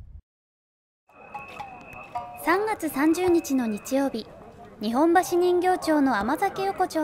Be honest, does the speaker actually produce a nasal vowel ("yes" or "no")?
yes